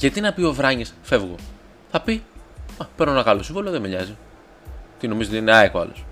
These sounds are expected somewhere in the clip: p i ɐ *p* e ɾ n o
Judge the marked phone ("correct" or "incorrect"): correct